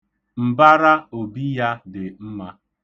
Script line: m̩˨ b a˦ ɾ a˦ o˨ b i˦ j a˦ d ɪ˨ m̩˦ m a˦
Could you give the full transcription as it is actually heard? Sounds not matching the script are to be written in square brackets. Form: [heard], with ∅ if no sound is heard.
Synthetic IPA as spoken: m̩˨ b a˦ ɾ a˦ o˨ b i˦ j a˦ d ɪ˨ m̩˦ m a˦